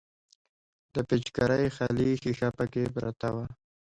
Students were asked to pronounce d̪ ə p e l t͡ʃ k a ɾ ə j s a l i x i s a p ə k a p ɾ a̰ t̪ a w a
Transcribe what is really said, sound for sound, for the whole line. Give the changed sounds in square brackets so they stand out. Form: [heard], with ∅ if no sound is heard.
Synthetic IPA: d̪ ə p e [∅] t͡ʃ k a ɾ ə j [x] a l i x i [x] a p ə k [e] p ɾ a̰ t̪ a w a

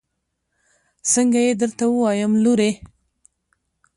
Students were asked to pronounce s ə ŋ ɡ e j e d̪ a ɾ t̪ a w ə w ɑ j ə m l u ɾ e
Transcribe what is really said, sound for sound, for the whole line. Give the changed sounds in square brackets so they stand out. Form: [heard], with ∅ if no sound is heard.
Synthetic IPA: s ə ŋ ɡ [a] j e d̪ [ə] ɾ t̪ a w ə w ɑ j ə m l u ɾ e

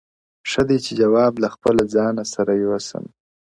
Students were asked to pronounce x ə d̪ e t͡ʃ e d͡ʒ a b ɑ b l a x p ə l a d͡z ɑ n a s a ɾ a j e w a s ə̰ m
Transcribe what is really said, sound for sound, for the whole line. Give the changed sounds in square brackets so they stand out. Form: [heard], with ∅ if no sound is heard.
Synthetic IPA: [ʂ] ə d̪ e t͡ʃ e d͡ʒ a [w] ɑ b l a x p ə l a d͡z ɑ n a s a ɾ a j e w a s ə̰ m

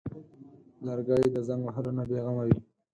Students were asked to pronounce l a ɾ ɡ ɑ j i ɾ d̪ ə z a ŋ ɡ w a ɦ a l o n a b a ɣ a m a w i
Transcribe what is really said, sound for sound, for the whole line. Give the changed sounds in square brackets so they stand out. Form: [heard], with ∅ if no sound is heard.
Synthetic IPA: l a ɾ ɡ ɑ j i [∅] d̪ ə z a ŋ ɡ w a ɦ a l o n a b [e] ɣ a m a w i

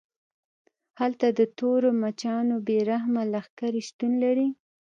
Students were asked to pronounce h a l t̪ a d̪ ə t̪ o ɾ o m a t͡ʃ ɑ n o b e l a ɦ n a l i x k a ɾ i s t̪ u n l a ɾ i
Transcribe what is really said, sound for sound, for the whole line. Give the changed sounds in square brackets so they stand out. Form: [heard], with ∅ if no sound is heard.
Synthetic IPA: h a l t̪ a d̪ ə t̪ o ɾ o m a t͡ʃ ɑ n o b e [ɾ] a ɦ [m] a l [a] x k a ɾ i [ʃ] t̪ u n l a ɾ i

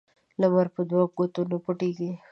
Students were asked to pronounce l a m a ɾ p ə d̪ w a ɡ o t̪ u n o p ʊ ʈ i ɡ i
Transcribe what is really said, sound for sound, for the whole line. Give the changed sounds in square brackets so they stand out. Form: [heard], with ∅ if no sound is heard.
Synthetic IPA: l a m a ɾ p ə d̪ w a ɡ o t̪ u n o p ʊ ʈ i ɡ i

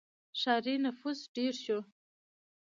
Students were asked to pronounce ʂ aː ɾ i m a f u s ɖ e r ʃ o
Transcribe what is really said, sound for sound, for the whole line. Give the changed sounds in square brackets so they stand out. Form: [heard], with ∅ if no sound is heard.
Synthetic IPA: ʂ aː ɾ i [n] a f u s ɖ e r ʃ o

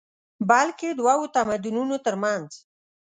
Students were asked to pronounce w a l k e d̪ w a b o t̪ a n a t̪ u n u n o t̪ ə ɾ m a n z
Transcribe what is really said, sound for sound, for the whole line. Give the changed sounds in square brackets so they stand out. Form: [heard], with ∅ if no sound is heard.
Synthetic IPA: [b] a l k e d̪ w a [w] o t̪ a [m] a [d̪] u n u n o t̪ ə ɾ m a n z

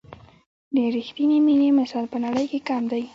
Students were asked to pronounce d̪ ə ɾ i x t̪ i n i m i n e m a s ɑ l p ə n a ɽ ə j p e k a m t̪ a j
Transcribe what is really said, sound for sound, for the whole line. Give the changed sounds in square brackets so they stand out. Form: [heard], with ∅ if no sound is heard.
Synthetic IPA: d̪ ə ɾ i x t̪ i n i m i n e m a s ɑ l p ə n a ɽ ə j [k] e k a m [d̪] a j

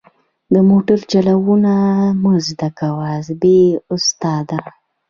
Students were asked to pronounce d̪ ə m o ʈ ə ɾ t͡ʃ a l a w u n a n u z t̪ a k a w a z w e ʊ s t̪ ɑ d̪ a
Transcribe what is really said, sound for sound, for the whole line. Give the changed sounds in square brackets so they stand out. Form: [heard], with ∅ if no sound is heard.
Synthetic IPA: d̪ ə m o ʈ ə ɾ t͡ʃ a l a w u n a [m] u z [d̪] a k a w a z [b] e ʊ s t̪ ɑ d̪ a

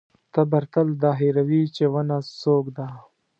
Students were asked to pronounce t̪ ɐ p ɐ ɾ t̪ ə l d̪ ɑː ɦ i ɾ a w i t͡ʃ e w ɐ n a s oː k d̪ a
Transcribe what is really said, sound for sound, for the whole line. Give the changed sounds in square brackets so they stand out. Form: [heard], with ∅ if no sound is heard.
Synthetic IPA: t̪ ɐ [b] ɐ ɾ t̪ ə l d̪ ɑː ɦ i ɾ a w i t͡ʃ e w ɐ n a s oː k d̪ a

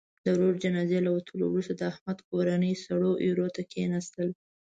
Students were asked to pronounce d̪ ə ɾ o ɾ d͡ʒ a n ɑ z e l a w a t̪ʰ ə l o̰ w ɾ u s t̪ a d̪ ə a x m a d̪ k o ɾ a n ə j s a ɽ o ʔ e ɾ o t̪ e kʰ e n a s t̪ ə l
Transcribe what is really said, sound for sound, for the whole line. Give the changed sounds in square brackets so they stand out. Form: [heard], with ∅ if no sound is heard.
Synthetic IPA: d̪ ə ɾ o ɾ d͡ʒ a n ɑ z e l a w a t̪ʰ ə l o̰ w ɾ u s t̪ a d̪ ə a [h] m a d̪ k o ɾ a n ə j s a ɽ o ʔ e ɾ o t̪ [a] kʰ e n a s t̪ ə l

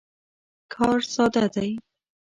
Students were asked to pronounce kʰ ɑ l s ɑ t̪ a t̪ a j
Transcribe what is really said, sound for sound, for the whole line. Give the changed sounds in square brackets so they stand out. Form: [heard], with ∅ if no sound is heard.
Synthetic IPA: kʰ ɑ [ɾ] s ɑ [d̪] a [d̪] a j

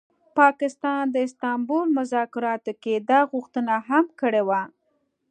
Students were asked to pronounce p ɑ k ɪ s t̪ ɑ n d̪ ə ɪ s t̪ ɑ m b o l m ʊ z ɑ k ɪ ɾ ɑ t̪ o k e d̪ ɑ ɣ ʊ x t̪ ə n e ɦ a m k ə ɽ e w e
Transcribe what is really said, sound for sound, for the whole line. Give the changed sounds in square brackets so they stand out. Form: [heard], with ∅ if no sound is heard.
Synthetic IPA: p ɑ k ɪ s t̪ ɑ n d̪ ə ɪ s t̪ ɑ m b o l m ʊ z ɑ k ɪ ɾ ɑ t̪ o k e d̪ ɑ ɣ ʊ x t̪ ə n [a] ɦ a m k ə ɽ e w [a]

